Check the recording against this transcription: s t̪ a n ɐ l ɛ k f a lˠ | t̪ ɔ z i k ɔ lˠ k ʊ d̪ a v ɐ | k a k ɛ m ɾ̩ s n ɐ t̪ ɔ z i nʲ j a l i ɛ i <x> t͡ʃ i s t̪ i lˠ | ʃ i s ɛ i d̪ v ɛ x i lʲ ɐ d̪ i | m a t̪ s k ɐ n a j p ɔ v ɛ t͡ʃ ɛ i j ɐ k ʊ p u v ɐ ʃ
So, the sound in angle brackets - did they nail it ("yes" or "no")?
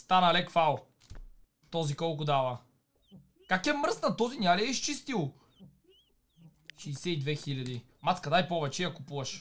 no